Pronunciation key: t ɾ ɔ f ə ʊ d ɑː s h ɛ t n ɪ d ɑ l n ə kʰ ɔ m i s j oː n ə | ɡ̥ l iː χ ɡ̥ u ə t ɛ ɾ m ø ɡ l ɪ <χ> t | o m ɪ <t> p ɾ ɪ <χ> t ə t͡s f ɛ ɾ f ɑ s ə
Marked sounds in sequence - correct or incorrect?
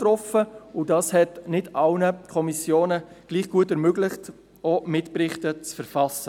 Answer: correct, correct, correct

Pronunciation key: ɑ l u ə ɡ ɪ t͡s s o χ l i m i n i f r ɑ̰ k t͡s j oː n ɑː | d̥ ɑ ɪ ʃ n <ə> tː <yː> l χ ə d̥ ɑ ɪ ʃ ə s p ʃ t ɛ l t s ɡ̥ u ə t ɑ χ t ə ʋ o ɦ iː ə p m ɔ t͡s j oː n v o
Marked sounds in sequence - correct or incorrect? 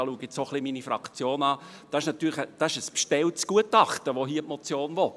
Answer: incorrect: ɑ, correct

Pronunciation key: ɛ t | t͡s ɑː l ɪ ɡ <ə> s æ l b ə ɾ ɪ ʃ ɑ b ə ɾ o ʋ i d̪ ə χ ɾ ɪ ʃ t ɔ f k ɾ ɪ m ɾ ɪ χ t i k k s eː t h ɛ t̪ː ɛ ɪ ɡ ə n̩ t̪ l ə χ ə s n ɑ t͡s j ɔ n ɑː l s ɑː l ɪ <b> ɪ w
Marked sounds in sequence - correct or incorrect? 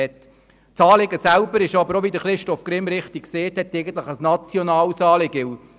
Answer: correct, incorrect: ɡ

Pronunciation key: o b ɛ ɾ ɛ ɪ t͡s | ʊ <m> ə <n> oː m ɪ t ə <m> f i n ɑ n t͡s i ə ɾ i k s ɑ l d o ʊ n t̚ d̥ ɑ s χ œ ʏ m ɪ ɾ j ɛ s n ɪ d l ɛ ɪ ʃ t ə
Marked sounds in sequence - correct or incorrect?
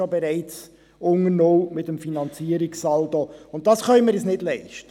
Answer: incorrect: ŋ, correct, correct

